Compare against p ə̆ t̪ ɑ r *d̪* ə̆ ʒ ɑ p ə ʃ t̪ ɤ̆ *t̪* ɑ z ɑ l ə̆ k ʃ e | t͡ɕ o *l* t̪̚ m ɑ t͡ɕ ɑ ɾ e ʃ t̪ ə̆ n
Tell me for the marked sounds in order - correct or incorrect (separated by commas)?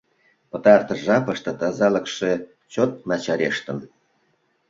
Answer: incorrect, correct, incorrect